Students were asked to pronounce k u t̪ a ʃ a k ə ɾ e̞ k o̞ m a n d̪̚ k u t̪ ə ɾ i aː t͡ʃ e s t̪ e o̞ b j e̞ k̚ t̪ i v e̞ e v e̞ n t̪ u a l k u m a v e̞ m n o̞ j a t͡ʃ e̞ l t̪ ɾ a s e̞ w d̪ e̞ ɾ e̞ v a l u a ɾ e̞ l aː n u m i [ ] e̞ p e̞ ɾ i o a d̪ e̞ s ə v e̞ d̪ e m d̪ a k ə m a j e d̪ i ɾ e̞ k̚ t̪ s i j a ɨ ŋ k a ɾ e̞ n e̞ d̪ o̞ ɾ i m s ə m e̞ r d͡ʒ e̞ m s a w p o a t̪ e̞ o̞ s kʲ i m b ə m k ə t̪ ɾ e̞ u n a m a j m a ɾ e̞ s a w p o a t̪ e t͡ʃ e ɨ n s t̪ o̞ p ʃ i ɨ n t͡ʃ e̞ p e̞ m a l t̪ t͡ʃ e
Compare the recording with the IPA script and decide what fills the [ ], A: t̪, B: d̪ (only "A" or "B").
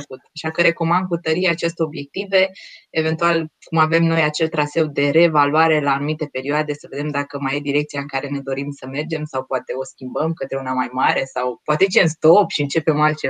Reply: A